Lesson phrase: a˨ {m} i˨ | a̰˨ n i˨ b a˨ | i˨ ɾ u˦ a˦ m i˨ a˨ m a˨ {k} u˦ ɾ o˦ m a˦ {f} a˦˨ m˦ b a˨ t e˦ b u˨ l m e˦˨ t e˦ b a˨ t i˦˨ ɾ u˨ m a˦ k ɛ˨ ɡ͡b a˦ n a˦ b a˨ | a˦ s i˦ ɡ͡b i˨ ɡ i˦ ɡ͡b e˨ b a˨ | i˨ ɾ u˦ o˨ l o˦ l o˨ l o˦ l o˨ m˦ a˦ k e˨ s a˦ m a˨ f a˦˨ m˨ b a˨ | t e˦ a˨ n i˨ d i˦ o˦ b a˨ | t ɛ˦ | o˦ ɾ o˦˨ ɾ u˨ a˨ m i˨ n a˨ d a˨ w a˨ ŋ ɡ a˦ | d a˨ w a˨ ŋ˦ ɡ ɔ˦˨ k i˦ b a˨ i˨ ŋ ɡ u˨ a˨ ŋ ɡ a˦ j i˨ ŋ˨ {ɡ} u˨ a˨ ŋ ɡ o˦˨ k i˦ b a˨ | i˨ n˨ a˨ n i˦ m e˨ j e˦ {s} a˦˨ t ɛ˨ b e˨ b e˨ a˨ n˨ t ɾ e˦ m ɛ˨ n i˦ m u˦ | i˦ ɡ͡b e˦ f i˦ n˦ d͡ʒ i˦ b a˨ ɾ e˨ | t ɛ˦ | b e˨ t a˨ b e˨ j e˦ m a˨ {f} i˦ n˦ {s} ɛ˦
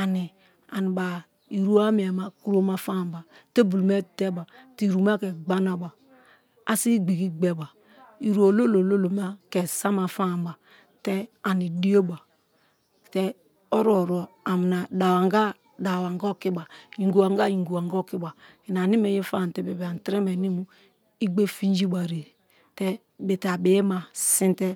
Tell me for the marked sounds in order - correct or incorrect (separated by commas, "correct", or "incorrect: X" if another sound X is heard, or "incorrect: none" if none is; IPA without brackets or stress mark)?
incorrect: n, correct, correct, correct, incorrect: f, incorrect: s, incorrect: t